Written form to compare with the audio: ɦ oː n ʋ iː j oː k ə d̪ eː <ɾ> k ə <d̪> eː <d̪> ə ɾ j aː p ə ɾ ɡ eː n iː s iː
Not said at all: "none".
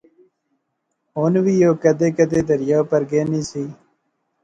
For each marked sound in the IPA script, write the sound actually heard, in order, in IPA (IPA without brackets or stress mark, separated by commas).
none, d̪, d̪